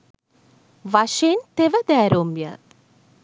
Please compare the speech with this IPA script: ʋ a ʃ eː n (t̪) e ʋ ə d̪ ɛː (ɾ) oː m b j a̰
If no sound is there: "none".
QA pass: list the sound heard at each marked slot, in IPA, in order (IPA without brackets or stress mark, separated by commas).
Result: t̪, ɾ